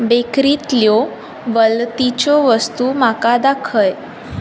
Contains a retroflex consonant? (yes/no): no